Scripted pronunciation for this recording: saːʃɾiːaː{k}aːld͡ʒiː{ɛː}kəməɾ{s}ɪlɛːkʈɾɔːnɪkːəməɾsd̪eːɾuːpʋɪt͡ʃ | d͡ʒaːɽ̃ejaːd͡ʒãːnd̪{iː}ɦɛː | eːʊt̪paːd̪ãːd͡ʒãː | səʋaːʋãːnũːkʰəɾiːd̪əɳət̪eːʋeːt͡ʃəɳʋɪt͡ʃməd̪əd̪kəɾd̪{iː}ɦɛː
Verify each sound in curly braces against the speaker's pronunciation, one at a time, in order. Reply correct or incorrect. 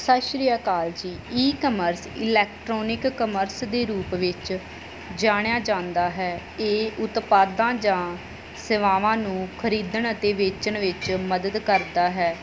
correct, incorrect, correct, incorrect, incorrect

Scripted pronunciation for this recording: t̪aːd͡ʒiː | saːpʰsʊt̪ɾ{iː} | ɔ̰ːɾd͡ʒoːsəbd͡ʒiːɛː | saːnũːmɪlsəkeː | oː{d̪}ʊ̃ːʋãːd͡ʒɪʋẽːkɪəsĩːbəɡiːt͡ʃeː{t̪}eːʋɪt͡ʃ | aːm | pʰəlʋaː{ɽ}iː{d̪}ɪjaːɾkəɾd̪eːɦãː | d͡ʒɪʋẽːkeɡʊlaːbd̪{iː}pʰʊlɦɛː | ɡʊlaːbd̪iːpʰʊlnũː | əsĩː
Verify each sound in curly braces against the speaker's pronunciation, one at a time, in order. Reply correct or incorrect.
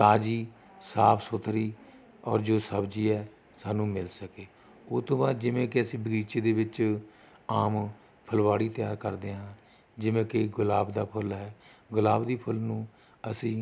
correct, incorrect, incorrect, correct, incorrect, incorrect

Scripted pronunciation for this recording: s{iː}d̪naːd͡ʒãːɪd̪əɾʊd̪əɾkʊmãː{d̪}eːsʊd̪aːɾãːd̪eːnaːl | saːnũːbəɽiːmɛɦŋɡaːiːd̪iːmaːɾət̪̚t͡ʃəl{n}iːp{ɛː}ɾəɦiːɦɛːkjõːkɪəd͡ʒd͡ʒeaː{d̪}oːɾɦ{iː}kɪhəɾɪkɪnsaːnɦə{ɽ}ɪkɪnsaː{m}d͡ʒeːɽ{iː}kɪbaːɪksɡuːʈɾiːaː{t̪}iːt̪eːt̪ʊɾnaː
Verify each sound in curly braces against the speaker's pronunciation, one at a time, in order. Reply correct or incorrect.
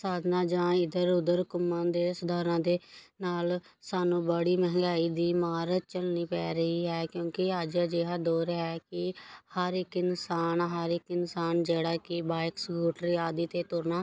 incorrect, correct, correct, correct, correct, incorrect, incorrect, incorrect, incorrect, incorrect

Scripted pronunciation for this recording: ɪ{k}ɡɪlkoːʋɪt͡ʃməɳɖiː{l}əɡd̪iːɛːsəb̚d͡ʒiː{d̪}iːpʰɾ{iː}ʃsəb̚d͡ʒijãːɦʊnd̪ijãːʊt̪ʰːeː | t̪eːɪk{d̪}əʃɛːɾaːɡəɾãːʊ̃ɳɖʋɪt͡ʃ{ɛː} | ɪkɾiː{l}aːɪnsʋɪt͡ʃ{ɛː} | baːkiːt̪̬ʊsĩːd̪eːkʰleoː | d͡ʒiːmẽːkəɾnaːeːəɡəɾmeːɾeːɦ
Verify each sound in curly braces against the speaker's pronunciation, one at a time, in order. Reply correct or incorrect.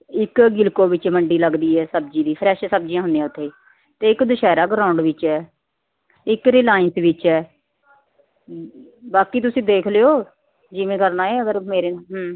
correct, correct, correct, incorrect, correct, correct, correct, correct

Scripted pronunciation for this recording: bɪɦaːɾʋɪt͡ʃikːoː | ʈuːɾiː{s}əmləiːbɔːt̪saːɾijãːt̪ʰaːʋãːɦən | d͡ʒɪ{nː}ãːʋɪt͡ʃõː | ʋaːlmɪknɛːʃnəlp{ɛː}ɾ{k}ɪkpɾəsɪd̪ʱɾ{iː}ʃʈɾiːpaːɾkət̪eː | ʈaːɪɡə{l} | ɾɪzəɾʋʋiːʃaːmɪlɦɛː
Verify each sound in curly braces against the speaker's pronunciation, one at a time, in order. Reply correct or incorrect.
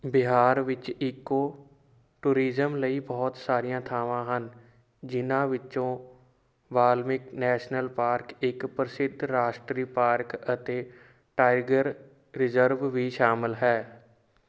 incorrect, incorrect, incorrect, correct, incorrect, incorrect

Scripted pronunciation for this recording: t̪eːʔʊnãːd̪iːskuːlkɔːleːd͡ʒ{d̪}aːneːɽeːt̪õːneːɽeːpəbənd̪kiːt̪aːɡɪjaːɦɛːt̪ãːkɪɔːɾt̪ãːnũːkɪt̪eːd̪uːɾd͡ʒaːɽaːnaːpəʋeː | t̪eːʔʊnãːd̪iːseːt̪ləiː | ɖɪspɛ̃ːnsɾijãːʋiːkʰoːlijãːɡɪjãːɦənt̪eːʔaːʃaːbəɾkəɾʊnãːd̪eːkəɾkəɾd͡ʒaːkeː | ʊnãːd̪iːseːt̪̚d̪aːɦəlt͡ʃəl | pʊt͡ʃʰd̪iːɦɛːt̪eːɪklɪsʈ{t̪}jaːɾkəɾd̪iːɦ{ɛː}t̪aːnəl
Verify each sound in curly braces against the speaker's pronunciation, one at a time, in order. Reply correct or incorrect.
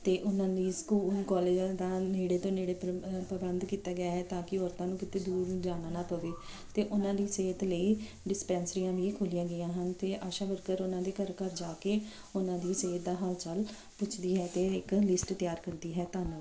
correct, correct, correct

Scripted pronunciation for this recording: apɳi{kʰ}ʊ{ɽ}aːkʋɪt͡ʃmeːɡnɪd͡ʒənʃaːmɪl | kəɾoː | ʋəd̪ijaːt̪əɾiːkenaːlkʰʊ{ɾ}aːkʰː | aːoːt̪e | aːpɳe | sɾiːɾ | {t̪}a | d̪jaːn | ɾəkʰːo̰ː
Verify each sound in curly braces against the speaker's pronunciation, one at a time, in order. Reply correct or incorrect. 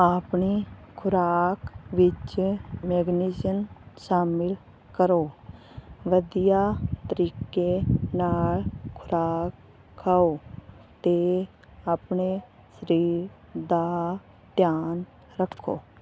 correct, incorrect, correct, incorrect

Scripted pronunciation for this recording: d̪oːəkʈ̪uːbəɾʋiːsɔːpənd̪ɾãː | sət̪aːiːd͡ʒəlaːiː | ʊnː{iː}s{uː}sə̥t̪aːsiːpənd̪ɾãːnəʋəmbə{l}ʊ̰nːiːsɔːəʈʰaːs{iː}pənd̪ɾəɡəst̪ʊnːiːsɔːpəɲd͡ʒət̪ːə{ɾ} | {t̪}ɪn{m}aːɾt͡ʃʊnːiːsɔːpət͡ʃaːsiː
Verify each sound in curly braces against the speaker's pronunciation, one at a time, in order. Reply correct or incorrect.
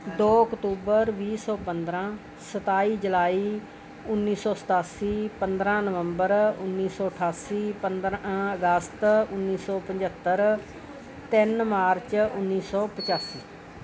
correct, incorrect, incorrect, correct, correct, correct, correct

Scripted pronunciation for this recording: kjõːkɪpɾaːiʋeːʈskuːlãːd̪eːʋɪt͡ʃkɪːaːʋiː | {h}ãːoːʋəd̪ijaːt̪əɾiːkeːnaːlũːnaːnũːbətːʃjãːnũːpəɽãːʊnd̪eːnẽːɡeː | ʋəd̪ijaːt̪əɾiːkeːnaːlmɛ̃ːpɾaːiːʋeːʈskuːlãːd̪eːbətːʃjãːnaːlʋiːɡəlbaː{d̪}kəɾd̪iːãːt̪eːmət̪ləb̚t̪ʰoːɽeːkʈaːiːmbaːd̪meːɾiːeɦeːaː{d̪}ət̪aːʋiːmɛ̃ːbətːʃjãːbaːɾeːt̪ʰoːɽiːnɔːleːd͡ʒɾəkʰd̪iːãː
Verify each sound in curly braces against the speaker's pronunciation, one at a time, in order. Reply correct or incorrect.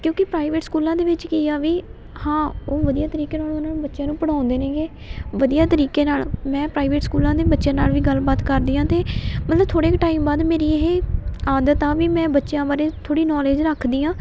correct, incorrect, correct

